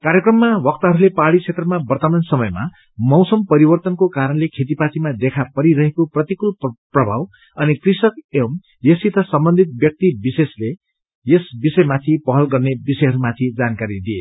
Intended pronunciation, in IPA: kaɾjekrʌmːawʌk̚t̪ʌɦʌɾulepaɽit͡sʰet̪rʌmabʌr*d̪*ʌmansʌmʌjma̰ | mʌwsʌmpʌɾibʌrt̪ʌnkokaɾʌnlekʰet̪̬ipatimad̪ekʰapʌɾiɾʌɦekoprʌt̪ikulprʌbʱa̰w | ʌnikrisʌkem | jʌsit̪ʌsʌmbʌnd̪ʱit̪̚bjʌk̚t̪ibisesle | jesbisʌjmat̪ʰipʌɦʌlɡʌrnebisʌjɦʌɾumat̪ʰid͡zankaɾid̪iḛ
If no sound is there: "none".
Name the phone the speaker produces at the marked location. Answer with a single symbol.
t̪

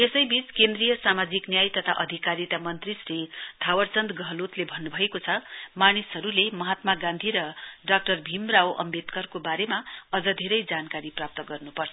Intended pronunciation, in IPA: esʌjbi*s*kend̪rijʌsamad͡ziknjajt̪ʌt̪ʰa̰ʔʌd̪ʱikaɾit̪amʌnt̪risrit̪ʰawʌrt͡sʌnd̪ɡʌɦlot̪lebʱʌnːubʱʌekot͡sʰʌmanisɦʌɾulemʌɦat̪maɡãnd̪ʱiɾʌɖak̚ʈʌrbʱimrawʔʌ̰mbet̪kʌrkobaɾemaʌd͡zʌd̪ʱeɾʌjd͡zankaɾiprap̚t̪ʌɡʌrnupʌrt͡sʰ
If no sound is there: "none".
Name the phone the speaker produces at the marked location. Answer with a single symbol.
t͡s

